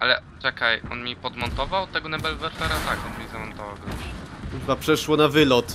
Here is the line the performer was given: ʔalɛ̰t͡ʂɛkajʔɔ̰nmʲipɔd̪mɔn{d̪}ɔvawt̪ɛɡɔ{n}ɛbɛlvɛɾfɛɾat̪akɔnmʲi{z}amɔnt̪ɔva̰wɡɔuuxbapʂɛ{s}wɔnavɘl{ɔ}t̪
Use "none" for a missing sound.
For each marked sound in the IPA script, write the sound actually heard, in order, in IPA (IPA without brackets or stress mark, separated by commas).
t̪, n, z, ʂ, ɔ